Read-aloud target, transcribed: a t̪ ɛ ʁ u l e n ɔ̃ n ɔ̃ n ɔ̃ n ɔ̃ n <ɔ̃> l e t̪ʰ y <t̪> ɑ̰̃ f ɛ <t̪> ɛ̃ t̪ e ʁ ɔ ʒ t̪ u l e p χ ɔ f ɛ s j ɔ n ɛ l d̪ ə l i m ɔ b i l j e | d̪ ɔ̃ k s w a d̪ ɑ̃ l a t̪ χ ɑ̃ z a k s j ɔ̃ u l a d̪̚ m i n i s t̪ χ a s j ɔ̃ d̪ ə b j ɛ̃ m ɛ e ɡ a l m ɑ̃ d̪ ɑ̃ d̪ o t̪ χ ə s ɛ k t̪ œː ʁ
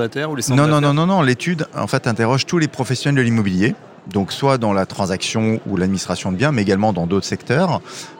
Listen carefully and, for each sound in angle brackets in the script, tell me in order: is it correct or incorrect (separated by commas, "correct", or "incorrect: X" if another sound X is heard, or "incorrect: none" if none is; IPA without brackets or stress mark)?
correct, incorrect: d̪, correct